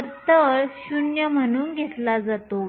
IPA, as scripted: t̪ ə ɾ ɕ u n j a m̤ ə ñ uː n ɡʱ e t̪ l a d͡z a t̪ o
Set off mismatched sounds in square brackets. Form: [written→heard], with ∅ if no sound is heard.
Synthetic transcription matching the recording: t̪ ə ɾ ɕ u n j [a→ə] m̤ ə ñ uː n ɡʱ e t̪ l a d͡z a t̪ o

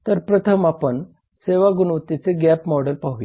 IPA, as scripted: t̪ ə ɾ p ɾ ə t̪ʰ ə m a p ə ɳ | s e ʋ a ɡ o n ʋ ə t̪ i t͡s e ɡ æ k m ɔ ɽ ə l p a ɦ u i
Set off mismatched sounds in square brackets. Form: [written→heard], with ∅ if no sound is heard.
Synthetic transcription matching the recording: t̪ ə ɾ p ɾ ə t̪ʰ ə m a p ə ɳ | s e ʋ a ɡ [o→u] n ʋ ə t̪ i t͡s e ɡ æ [k→p] m ɔ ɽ ə l p a ɦ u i

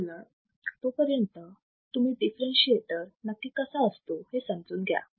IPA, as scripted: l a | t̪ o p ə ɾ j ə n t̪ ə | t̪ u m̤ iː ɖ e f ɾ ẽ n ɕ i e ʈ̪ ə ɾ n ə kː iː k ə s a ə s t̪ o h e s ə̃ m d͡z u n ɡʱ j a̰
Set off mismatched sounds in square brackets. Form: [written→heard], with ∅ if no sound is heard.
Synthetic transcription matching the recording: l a | t̪ o p ə ɾ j ə n t̪ ə | t̪ u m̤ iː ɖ [e→i] f ɾ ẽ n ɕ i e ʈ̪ ə ɾ n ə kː iː k ə s a ə s t̪ o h e s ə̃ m d͡z [u→uː] n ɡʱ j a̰

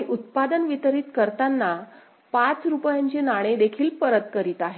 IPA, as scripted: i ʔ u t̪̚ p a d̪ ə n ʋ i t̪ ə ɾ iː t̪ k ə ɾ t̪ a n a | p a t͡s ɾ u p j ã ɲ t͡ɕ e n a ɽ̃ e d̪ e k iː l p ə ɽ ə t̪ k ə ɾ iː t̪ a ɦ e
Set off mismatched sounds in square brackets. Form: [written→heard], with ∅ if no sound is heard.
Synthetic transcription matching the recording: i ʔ u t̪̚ p a d̪ ə n ʋ i t̪ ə ɾ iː t̪ k ə ɾ t̪ a [n→nː] a | p a t͡s ɾ u p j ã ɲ t͡ɕ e n a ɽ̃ e d̪ e [k→kʰ] iː l p ə [ɽ→ɾ] ə t̪ k ə ɾ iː t̪ a ɦ e

